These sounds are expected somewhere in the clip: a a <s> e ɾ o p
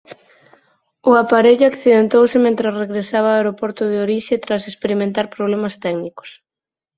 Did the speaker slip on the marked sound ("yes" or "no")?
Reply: yes